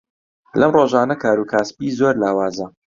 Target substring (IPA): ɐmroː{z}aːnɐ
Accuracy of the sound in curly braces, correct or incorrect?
incorrect: ʒ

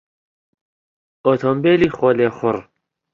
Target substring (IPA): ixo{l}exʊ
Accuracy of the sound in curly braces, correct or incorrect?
correct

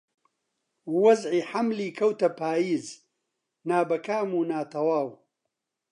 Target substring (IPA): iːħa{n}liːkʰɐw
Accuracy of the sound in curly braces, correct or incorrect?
incorrect: m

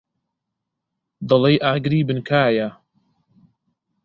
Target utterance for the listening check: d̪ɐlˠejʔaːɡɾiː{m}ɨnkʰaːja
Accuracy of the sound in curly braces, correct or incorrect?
incorrect: b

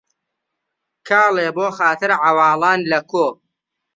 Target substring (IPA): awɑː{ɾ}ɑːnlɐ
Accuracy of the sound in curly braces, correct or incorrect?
incorrect: l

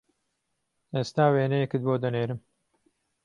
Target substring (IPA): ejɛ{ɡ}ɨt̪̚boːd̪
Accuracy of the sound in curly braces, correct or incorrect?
incorrect: k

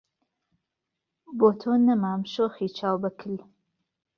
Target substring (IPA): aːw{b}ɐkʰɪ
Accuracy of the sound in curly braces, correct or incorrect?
correct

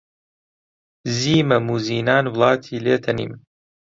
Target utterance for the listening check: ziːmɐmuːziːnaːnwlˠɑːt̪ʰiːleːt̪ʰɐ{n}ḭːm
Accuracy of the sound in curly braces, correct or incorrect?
correct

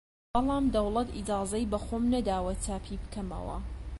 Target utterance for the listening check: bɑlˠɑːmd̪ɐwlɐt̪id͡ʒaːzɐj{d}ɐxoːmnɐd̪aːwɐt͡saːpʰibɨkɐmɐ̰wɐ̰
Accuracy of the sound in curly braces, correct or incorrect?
incorrect: b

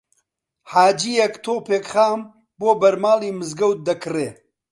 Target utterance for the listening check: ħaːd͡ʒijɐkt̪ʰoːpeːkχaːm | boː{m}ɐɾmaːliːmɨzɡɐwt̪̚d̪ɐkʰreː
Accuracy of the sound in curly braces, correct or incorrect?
incorrect: b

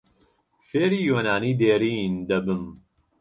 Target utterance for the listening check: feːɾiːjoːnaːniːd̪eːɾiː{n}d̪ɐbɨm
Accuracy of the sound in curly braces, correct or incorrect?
correct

